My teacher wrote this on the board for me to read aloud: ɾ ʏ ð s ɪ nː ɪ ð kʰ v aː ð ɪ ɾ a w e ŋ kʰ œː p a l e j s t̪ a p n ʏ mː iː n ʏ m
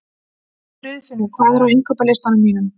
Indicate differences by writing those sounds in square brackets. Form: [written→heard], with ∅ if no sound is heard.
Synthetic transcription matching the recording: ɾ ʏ ð [s→f] ɪ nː ɪ ð kʰ v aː ð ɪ ɾ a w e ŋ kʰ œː p a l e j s t̪ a [p→∅] n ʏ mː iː n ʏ m